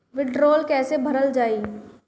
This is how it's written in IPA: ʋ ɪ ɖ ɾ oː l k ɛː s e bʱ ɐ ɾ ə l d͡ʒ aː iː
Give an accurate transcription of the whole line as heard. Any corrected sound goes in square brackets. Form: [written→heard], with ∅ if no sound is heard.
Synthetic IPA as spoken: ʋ ɪ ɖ ɾ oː l k ɛː s e bʱ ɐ ɾ ə l d͡ʒ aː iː